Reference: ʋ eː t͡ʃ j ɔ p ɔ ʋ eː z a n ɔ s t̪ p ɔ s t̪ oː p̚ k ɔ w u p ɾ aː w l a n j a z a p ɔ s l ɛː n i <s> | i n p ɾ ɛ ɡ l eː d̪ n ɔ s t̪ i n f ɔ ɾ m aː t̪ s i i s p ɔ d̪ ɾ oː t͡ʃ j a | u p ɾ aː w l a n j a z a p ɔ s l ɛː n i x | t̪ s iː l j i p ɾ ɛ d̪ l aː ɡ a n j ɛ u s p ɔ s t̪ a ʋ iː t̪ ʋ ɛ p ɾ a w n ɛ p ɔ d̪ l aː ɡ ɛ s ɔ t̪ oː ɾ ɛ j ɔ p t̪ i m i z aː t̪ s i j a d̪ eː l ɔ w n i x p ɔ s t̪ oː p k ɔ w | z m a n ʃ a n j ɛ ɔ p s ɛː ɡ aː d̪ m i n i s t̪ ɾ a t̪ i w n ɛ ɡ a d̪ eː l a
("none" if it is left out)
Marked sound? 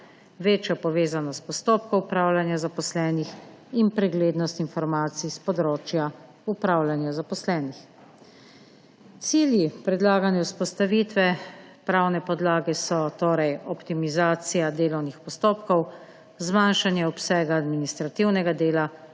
x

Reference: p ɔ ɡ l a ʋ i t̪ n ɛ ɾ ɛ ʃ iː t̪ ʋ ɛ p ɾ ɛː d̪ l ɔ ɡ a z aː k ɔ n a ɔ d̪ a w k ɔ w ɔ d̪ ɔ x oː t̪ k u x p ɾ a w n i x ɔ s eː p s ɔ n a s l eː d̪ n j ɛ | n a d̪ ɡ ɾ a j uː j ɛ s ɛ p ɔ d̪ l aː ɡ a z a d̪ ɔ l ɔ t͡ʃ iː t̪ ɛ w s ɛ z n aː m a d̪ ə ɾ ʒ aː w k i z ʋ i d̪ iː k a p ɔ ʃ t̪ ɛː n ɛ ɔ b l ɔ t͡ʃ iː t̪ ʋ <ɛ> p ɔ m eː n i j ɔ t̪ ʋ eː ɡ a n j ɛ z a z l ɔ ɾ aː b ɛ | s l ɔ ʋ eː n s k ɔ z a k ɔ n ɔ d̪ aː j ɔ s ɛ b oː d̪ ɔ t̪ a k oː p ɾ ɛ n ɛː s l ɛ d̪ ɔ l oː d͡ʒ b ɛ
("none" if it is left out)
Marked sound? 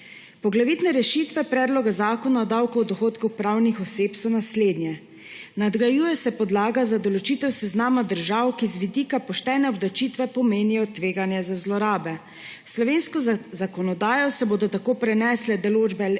ɛ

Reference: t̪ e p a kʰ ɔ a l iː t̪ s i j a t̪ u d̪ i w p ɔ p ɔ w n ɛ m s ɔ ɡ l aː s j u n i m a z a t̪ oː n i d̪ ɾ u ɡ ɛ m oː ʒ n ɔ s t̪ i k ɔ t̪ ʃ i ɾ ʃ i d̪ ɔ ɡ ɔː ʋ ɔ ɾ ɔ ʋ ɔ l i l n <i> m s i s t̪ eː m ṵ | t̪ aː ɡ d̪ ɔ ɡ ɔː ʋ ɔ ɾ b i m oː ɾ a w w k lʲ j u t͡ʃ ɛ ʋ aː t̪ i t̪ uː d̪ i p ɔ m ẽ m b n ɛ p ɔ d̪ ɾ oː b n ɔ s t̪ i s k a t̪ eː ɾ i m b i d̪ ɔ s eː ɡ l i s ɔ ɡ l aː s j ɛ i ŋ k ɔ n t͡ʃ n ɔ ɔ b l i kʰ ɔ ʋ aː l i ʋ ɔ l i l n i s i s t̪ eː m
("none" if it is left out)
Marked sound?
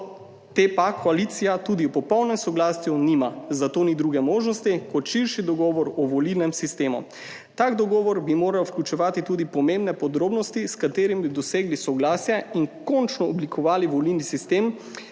ɛ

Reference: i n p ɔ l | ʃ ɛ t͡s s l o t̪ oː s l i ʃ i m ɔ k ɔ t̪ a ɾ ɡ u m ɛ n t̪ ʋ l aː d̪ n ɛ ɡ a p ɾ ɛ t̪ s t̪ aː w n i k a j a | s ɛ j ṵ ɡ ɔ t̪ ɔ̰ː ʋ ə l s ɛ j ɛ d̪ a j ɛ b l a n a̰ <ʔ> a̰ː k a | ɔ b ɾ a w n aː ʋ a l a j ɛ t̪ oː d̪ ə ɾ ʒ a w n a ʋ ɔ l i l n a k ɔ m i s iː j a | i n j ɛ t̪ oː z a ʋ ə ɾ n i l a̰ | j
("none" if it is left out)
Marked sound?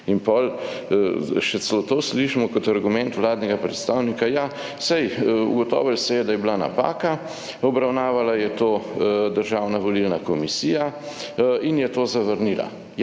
p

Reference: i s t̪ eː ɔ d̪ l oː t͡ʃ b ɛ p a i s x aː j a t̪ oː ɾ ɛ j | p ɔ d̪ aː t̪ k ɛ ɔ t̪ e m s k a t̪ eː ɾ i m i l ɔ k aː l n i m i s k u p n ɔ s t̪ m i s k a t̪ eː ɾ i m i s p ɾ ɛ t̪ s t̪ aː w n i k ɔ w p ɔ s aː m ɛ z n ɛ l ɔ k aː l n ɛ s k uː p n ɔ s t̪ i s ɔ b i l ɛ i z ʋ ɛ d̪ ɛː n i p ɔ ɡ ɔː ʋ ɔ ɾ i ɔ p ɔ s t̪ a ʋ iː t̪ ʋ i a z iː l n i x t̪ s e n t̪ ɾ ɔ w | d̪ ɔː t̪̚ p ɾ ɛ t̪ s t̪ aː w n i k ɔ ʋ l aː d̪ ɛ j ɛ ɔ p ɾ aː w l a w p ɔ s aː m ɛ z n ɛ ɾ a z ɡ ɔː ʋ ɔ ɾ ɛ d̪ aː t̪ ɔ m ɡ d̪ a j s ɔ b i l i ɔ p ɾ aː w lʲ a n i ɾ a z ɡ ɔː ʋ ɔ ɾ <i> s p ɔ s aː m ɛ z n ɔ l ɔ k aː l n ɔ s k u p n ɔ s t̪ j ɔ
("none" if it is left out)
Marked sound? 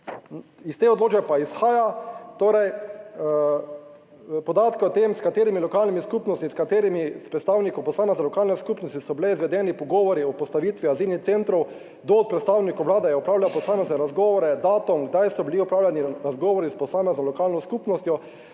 i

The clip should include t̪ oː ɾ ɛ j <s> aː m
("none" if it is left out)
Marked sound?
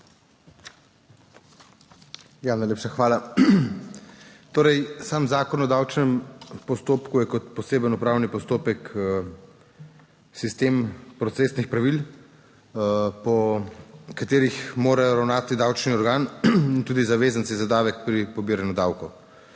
s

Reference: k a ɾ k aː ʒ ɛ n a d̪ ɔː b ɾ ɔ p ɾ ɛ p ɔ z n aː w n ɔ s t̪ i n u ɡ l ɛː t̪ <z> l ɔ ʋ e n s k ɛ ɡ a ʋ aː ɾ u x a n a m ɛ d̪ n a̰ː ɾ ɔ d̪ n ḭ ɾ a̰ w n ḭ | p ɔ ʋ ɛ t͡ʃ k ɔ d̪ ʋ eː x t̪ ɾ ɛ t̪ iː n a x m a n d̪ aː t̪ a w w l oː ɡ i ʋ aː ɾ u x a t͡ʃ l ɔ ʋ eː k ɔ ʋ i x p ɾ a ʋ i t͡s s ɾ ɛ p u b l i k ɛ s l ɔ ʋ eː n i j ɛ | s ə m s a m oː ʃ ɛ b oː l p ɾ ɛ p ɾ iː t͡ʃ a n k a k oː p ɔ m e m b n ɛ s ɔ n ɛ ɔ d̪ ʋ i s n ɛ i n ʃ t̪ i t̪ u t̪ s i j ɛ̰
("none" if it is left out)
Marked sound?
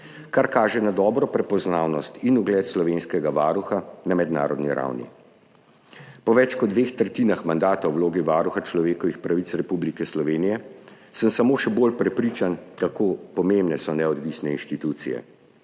s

